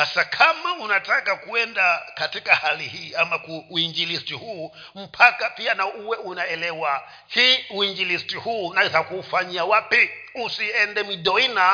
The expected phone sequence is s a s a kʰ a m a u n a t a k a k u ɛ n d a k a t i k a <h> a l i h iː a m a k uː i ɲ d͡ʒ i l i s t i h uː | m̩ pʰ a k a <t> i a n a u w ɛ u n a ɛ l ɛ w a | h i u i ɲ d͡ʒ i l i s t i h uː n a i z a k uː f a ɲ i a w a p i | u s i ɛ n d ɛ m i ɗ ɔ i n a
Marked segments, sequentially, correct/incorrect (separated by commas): correct, incorrect